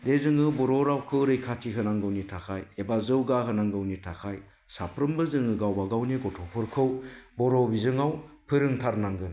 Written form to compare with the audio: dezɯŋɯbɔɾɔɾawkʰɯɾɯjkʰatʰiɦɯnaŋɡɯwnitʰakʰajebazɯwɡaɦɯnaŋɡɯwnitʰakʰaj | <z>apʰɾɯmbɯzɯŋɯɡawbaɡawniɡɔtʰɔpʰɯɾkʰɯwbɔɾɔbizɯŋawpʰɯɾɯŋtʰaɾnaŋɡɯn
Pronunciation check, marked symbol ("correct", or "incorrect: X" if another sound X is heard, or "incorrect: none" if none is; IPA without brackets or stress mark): incorrect: s